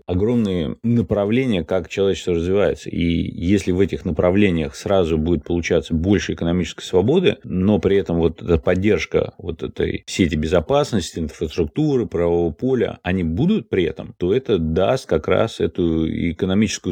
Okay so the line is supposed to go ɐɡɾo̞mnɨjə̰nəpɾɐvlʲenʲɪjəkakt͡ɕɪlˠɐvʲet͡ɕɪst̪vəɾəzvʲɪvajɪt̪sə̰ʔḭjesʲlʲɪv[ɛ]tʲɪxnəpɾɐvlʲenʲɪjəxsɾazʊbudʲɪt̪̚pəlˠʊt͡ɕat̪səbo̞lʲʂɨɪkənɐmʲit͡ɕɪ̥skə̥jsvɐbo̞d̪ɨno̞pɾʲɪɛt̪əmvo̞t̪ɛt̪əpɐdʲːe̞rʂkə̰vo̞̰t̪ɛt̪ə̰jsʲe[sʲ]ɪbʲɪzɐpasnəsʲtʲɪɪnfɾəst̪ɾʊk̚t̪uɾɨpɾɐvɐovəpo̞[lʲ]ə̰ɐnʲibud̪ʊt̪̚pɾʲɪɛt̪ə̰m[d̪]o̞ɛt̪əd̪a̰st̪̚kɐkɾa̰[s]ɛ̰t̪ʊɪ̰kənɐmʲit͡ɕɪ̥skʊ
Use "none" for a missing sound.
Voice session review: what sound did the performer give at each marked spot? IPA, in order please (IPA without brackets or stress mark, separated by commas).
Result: ɛ, tʲ, lʲ, t̪, s